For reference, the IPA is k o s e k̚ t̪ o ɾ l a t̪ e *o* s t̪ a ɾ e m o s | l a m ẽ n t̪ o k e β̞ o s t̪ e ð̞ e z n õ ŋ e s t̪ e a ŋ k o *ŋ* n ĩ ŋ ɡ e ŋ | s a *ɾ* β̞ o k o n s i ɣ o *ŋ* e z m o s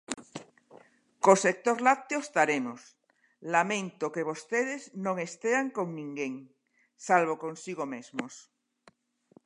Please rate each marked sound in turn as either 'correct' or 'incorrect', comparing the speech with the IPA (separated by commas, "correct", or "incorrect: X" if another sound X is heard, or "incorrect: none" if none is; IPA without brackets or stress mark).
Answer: correct, correct, incorrect: l, incorrect: m